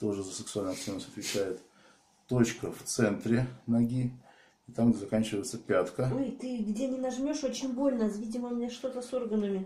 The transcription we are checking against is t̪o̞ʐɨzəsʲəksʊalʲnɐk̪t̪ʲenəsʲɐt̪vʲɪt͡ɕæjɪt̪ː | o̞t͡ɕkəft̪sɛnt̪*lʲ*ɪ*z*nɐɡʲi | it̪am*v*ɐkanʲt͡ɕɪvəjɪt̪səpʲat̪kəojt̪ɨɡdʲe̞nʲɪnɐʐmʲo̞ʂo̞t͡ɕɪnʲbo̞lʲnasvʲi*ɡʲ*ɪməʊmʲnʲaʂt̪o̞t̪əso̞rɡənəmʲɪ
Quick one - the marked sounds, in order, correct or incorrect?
incorrect: ɾʲ, incorrect: none, incorrect: z, incorrect: dʲ

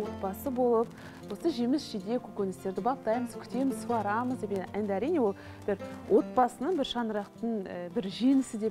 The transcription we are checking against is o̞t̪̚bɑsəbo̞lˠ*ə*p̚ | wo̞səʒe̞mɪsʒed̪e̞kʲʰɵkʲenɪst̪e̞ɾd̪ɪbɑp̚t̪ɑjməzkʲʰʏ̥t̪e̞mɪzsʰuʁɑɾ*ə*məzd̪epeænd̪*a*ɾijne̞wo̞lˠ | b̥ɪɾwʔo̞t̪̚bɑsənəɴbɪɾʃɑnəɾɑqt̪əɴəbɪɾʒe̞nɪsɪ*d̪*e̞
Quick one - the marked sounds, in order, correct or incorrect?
correct, incorrect: ɑ, incorrect: æ, correct

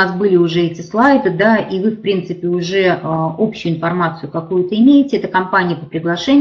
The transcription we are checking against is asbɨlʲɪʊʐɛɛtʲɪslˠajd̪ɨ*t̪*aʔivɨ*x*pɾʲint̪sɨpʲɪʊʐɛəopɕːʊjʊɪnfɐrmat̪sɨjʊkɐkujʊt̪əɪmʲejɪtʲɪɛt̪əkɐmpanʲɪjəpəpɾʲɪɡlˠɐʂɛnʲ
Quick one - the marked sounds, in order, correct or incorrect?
incorrect: d̪, incorrect: f

